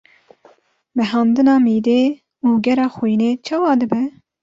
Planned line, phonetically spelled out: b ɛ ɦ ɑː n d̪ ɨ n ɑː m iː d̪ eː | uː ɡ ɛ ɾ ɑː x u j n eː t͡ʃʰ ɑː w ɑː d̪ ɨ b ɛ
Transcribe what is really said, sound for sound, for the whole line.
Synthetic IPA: m ɛ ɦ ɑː n d̪ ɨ n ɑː m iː d̪ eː | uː ɡ ɛ ɾ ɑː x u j n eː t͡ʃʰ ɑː w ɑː d̪ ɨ b ɛ